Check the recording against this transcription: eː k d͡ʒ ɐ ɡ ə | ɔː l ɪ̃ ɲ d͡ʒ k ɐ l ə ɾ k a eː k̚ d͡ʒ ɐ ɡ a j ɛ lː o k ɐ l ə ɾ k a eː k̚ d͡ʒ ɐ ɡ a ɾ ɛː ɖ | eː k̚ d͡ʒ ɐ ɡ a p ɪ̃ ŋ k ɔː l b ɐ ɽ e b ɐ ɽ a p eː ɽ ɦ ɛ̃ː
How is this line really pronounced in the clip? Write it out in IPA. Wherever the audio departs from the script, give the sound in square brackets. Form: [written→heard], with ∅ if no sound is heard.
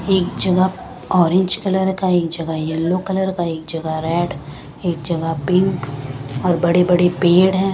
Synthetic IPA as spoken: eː k d͡ʒ ɐ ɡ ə | ɔː [l→ɾ] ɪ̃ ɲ d͡ʒ k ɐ l ə ɾ k a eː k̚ d͡ʒ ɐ ɡ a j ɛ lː o k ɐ l ə ɾ k a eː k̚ d͡ʒ ɐ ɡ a ɾ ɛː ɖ | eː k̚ d͡ʒ ɐ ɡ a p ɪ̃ ŋ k ɔː [l→ɾ] b ɐ ɽ e b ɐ ɽ [a→e] p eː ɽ ɦ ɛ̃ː